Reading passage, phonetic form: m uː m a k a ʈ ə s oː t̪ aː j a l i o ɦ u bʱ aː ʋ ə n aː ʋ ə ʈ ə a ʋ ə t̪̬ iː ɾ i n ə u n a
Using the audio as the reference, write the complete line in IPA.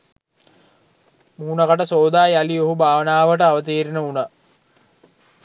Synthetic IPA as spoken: m uː n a k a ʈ ə s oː d̪ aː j a l i o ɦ u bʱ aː ʋ ə n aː ʋ ə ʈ ə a ʋ ə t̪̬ iː ɾ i n ə u n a